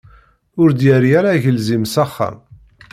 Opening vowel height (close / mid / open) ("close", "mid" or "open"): close